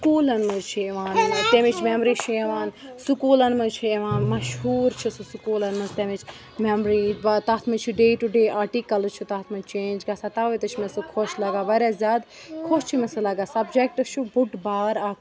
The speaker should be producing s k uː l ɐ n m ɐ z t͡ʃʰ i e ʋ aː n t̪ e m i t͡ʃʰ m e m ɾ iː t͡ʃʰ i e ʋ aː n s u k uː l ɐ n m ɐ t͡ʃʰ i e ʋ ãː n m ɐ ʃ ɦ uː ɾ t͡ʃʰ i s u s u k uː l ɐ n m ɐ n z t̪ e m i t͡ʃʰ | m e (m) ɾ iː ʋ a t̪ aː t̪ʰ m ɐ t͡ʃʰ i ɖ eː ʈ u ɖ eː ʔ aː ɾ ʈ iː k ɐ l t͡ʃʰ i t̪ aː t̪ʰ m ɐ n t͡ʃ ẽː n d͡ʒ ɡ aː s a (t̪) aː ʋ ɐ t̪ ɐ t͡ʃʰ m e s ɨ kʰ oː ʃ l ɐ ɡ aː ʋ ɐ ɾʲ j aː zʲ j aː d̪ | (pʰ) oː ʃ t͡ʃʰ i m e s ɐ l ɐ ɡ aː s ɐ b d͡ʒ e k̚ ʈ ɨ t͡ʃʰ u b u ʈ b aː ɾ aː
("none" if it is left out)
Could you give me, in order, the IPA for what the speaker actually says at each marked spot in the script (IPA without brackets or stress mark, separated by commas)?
m, t̪, kʰ